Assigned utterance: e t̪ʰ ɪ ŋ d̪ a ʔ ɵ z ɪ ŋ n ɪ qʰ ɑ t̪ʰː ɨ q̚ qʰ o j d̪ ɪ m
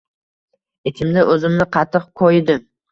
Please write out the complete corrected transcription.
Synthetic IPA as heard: e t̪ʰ ɪ m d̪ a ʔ ɵ z ɪ m n ɪ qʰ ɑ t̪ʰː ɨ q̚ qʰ o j d̪ ɪ m